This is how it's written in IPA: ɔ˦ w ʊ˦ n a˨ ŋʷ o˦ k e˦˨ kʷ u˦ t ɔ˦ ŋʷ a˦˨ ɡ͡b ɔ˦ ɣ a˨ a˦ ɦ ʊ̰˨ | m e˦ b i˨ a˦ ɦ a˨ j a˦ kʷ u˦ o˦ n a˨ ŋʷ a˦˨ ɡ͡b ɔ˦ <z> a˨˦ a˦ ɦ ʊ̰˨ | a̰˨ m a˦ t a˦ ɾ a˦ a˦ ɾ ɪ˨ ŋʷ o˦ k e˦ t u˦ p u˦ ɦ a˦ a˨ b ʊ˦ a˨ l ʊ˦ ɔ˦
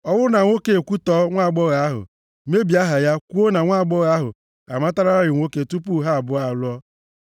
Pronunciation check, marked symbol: incorrect: ɣ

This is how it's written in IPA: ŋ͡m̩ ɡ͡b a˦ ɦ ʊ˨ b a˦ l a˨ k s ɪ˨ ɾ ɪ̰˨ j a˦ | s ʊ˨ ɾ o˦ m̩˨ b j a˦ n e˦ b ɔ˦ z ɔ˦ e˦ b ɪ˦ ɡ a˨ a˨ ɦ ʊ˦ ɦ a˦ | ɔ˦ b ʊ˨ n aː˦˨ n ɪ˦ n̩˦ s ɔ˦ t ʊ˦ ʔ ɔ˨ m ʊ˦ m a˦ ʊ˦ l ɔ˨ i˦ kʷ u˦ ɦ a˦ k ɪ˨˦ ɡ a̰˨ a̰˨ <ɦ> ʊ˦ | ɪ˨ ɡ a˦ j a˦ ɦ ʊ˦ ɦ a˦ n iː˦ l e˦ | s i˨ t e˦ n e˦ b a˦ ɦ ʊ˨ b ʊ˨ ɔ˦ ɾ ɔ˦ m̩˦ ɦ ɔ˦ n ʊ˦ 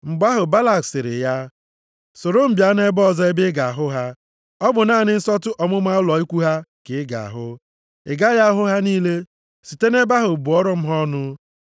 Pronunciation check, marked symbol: correct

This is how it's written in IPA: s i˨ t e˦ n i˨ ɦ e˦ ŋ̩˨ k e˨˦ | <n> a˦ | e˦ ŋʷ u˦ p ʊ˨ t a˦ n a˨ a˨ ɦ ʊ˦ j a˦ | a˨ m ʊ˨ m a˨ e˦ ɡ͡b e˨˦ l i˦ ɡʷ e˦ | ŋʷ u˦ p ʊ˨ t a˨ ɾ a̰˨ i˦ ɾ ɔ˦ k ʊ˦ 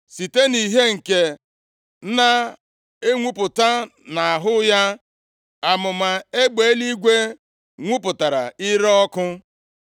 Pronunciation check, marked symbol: correct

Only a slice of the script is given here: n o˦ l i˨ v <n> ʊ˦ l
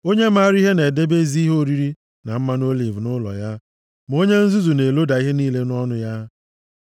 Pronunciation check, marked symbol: correct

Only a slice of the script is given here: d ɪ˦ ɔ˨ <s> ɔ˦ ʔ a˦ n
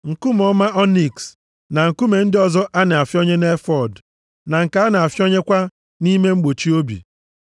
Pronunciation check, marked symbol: incorrect: z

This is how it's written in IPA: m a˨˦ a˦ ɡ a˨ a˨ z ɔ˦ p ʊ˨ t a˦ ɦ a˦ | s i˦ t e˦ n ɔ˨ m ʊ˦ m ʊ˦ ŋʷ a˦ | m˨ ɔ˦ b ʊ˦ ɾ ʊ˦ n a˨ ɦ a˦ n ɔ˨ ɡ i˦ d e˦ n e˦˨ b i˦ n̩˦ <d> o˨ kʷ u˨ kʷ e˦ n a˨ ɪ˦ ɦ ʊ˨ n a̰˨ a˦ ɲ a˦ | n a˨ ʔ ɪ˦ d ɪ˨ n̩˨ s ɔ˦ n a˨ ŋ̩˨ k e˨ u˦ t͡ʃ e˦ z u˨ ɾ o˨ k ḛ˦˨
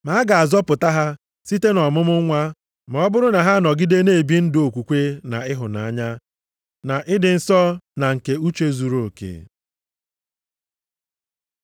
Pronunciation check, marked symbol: correct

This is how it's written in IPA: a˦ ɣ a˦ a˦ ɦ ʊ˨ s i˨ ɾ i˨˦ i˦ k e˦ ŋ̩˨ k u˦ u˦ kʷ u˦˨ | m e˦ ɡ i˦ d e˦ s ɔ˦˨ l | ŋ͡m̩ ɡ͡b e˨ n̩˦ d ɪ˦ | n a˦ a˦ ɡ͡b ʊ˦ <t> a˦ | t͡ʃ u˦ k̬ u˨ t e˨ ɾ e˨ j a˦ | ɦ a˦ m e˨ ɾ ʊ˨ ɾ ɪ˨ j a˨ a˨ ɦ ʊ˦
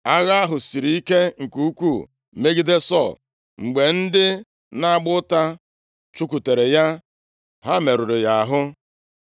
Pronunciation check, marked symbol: correct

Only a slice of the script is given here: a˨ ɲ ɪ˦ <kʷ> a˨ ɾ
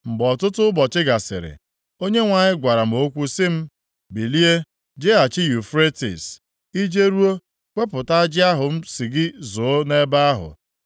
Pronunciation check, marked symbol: incorrect: ɡʷ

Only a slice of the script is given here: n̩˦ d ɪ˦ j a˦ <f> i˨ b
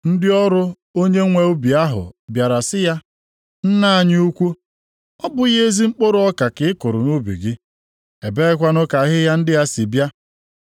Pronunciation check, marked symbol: incorrect: s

